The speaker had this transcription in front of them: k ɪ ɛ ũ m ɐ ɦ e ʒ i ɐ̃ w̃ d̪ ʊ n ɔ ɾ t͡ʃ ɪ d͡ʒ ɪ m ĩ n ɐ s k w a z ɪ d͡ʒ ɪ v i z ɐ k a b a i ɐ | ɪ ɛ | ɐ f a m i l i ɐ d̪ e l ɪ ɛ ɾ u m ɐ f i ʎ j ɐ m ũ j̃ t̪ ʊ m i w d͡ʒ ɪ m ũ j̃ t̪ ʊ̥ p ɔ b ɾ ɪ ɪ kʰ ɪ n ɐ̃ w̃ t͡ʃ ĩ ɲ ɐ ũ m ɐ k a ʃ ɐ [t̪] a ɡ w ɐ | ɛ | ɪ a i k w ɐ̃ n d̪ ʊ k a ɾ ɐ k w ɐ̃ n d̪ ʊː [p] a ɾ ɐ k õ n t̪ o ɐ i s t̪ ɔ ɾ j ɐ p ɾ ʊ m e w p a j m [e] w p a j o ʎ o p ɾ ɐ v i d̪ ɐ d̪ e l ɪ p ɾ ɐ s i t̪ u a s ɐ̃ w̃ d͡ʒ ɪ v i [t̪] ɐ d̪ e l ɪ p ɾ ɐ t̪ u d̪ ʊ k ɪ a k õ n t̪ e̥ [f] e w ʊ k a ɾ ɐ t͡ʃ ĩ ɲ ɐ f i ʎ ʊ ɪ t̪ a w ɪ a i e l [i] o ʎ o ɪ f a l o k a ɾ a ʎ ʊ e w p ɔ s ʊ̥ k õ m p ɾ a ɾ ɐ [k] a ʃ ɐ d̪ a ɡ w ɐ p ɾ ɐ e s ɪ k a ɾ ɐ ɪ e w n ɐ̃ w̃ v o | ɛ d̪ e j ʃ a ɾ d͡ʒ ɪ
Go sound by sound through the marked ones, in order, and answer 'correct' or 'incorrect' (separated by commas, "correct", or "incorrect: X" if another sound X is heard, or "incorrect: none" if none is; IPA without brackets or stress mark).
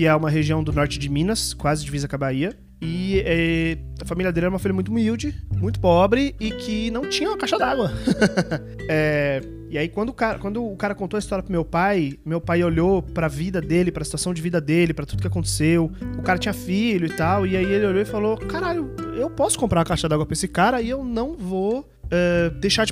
incorrect: d̪, incorrect: k, correct, incorrect: d̪, incorrect: s, incorrect: ɪ, correct